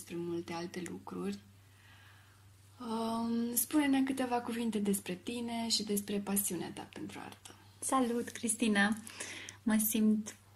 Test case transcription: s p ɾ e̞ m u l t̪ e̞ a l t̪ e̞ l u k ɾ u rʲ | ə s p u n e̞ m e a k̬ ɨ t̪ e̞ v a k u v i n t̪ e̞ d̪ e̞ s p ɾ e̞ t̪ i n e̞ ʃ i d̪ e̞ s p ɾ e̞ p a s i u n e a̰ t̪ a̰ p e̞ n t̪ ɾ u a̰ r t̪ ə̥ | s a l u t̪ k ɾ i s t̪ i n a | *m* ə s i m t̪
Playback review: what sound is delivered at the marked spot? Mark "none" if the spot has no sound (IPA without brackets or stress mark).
m